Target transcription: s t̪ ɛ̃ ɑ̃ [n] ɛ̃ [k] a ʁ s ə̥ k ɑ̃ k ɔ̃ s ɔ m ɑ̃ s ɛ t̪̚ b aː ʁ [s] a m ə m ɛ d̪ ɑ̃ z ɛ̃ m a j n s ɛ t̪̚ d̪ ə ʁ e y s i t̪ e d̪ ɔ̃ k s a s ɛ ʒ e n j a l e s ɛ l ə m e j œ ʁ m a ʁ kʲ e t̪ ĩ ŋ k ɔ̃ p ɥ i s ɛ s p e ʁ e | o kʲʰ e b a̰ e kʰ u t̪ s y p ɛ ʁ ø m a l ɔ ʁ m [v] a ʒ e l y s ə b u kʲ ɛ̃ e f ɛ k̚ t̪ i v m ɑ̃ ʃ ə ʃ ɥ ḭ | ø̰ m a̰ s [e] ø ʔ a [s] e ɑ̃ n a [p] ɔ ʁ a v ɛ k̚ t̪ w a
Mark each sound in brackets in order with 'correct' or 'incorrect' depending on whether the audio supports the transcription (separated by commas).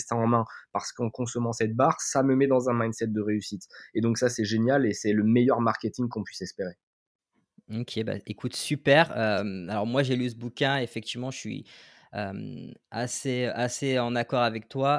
incorrect, incorrect, correct, incorrect, correct, correct, incorrect